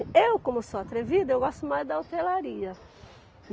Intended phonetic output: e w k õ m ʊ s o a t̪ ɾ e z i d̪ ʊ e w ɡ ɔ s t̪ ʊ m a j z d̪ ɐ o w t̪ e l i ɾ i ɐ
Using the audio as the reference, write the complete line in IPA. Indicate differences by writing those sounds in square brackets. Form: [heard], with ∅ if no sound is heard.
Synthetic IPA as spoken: e w k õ m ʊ s o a t̪ ɾ e [v] i d̪ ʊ e w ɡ ɔ s t̪ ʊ m a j z d̪ ɐ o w t̪ e l [a] ɾ i ɐ

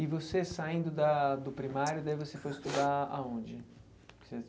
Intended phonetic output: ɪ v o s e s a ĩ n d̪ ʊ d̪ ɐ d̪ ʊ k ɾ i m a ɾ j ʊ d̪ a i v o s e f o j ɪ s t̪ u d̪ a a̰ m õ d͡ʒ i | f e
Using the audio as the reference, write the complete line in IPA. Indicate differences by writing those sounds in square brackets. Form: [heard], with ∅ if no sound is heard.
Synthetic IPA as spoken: ɪ v o s e s a ĩ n d̪ ʊ d̪ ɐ d̪ ʊ [p] ɾ i m a ɾ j ʊ d̪ a i v o s e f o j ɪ s t̪ u d̪ a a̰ [∅] õ d͡ʒ [ɪ] | [s] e

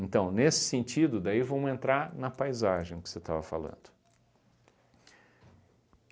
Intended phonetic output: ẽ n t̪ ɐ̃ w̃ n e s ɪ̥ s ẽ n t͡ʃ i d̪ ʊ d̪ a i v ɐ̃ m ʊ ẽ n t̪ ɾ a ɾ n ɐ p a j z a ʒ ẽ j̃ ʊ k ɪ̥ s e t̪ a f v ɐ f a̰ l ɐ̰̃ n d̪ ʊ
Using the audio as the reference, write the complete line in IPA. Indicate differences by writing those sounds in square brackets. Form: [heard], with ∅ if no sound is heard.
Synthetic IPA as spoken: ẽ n t̪ ɐ̃ w̃ n e s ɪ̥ s ẽ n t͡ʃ i d̪ ʊ d̪ a i v ɐ̃ m ʊ ẽ n t̪ ɾ a ɾ n ɐ p a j z a ʒ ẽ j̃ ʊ k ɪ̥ s e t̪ a [∅] v ɐ f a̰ l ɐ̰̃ n d̪ ʊ

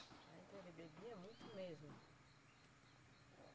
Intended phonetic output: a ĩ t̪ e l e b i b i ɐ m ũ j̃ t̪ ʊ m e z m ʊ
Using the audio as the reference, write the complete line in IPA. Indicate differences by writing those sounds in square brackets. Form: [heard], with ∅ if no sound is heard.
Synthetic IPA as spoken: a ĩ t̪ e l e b [e] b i ɐ m ũ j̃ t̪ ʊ m e z m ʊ

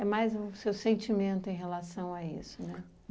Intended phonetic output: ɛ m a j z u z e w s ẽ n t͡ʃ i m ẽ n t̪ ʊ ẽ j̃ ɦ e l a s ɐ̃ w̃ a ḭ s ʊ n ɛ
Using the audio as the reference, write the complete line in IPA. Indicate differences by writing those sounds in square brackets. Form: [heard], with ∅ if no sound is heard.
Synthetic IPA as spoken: ɛ m a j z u [s] e w s ẽ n t͡ʃ i m ẽ n t̪ ʊ ẽ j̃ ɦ e l a s ɐ̃ w̃ a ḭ s ʊ n ɛ

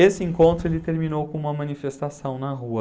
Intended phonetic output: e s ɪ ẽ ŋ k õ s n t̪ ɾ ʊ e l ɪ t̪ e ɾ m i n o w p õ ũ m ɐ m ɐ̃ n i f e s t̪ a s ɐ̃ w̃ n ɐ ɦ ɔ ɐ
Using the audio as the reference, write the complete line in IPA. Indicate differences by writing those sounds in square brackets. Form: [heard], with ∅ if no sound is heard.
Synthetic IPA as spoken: e s ɪ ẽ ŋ k õ [∅] n t̪ ɾ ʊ e l ɪ t̪ e ɾ m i n o w [k] õ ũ m ɐ m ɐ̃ n i f e s t̪ a s ɐ̃ w̃ n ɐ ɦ [u] ɐ

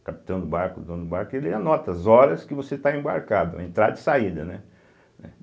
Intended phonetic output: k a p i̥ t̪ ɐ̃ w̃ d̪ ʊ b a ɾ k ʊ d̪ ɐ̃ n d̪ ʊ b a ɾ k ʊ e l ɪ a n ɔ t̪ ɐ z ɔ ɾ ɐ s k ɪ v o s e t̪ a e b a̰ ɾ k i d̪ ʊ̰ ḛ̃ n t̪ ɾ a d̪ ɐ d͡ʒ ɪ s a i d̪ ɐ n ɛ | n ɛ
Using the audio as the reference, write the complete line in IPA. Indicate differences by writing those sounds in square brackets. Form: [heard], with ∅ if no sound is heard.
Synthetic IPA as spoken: k a p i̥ t̪ ɐ̃ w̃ d̪ ʊ b a ɾ k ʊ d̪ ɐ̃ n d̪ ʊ b a ɾ k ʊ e l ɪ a n ɔ t̪ ɐ z ɔ ɾ ɐ s k ɪ v o s e t̪ a [ẽ] b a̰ ɾ k [a] d̪ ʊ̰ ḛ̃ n t̪ ɾ a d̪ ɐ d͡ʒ ɪ s a i d̪ ɐ n ɛ | n ɛ

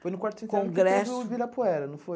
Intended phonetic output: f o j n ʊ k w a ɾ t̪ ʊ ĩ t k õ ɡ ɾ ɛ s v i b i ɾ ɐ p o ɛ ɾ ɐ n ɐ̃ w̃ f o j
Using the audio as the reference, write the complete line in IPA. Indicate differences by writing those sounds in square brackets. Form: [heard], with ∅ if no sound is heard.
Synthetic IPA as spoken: f o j n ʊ k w a ɾ t̪ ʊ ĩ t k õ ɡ ɾ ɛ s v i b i ɾ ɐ p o ɛ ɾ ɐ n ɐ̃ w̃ f o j

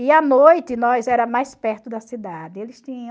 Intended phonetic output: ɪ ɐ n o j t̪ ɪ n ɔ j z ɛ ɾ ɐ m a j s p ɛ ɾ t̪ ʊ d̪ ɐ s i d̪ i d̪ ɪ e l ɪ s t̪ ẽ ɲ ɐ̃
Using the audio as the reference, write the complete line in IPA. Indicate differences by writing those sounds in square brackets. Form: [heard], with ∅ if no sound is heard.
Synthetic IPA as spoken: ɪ ɐ n o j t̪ ɪ n ɔ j z ɛ ɾ ɐ m a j s p ɛ ɾ t̪ ʊ d̪ ɐ s i d̪ [a] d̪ ɪ e l ɪ s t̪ [ĩ] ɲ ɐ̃

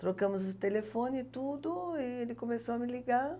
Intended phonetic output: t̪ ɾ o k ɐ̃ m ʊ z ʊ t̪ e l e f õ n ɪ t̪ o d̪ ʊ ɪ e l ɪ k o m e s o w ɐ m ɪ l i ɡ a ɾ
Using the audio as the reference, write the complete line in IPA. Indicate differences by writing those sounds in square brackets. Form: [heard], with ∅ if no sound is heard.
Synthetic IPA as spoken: t̪ ɾ o k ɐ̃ m ʊ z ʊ t̪ e l e f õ n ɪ t̪ [u] d̪ ʊ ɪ e l ɪ k o m e s o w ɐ m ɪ l i ɡ a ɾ

